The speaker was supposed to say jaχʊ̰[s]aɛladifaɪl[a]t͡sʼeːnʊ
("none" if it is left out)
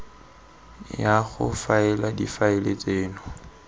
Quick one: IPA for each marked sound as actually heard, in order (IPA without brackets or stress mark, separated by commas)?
f, e